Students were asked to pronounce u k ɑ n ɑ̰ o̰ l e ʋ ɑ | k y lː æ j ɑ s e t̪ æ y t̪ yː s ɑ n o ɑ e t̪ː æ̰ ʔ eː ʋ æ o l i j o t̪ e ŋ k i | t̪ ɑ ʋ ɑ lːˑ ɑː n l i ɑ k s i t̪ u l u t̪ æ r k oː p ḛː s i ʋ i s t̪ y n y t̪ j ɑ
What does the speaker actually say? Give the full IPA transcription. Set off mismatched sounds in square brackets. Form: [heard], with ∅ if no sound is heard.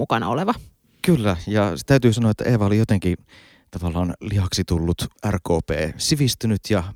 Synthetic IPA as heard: u k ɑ n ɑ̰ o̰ l e ʋ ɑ | k y lː æ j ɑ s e t̪ æ y t̪ yː s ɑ n o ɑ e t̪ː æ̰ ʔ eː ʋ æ o l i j o t̪ e ŋ k i | t̪ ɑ ʋ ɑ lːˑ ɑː n l i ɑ k s i t̪ u [lː] u t̪ æ r k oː p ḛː s i ʋ i s t̪ y n y t̪ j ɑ